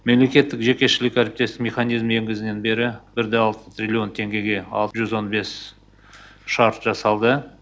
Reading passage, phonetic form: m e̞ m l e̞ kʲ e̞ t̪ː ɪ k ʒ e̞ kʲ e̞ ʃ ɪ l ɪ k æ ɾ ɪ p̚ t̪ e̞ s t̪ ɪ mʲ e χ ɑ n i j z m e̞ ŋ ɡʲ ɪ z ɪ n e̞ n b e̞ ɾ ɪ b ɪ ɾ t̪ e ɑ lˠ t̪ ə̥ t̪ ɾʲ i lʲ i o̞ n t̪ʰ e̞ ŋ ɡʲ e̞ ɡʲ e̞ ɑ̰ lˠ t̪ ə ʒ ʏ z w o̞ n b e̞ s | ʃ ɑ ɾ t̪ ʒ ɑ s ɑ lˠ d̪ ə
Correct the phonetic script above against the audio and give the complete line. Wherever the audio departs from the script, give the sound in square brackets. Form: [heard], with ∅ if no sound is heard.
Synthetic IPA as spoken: m e̞ m l e̞ kʲ e̞ t̪ː ɪ k ʒ e̞ kʲ e̞ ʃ ɪ l ɪ k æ ɾ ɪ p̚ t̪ e̞ s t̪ ɪ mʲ e χ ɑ n i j z m e̞ ŋ ɡʲ ɪ z ɪ n e̞ n b e̞ ɾ ɪ b ɪ ɾ [d̪] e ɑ lˠ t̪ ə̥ t̪ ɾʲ i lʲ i o̞ n t̪ʰ e̞ ŋ ɡʲ e̞ ɡʲ e̞ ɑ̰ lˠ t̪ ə ʒ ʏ z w o̞ n b e̞ s | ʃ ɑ ɾ t̪ ʒ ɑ s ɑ lˠ d̪ ə